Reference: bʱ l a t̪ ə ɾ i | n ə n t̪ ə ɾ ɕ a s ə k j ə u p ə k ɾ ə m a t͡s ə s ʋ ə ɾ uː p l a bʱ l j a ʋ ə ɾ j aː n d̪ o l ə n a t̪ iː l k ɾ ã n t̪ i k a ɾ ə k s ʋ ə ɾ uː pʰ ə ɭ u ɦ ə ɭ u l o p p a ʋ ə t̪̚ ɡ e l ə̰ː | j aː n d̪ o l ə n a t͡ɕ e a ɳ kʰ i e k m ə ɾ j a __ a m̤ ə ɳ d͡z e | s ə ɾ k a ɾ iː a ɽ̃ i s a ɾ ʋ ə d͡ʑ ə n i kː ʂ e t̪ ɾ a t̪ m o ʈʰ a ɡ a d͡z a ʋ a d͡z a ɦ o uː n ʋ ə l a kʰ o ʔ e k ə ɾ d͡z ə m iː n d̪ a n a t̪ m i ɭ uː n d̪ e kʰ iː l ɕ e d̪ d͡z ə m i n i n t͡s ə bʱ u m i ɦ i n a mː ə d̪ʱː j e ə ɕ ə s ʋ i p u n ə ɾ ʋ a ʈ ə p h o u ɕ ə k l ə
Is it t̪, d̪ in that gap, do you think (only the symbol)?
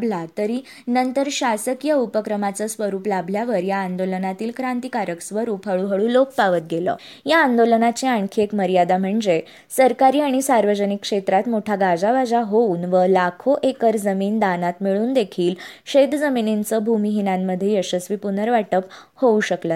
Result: d̪